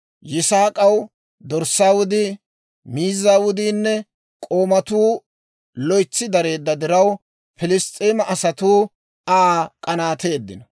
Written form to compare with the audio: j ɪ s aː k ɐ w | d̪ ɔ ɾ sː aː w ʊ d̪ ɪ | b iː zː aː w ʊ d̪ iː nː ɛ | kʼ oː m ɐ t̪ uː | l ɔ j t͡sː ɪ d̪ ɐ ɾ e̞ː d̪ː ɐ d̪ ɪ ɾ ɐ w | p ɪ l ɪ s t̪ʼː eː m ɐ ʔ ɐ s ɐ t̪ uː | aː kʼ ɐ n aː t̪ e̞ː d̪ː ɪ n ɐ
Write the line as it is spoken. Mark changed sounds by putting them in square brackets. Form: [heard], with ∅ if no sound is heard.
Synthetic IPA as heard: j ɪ s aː [kʼ] ɐ w | d̪ ɔ ɾ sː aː w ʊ d̪ ɪ | [m] iː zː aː w ʊ d̪ iː nː ɛ | kʼ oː m ɐ t̪ uː | l ɔ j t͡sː ɪ d̪ ɐ ɾ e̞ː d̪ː ɐ d̪ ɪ ɾ ɐ w | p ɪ l ɪ s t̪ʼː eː m ɐ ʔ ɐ s ɐ t̪ uː | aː kʼ ɐ n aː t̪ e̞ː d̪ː ɪ n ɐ